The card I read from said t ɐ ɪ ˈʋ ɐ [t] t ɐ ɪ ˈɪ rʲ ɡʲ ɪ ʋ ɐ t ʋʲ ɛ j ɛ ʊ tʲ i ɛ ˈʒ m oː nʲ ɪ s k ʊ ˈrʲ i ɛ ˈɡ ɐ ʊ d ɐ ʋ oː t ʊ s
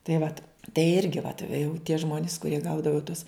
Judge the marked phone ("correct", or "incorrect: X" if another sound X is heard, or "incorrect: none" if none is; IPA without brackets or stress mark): correct